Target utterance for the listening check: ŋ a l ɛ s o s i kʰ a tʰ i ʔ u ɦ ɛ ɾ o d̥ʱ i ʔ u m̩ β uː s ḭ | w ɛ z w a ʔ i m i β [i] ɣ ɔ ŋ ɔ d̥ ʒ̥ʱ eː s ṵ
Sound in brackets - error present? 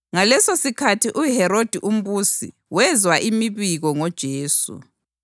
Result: no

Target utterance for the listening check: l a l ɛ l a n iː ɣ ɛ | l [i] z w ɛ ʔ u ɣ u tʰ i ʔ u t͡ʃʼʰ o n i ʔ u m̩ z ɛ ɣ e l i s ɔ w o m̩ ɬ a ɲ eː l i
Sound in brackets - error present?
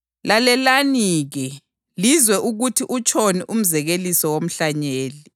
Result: no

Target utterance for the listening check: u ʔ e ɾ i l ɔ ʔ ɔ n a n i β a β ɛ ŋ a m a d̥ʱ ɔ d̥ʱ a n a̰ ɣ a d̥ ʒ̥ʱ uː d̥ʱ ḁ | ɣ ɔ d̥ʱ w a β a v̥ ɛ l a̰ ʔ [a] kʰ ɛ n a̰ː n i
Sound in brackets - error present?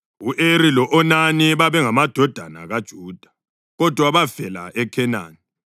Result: yes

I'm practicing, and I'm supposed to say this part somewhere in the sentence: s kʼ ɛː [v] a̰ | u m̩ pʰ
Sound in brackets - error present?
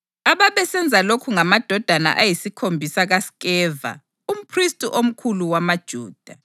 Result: no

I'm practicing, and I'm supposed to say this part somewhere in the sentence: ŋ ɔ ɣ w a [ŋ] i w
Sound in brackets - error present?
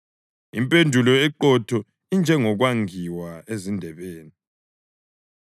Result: no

